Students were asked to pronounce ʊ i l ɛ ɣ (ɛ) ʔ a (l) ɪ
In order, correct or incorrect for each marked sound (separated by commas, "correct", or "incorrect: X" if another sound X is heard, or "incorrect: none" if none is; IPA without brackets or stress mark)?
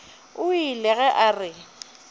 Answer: correct, incorrect: r